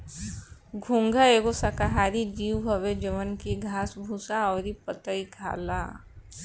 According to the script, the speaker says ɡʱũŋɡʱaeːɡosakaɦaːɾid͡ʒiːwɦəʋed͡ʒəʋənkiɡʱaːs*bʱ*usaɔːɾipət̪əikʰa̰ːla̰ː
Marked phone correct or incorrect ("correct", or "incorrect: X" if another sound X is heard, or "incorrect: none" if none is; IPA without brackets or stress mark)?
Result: correct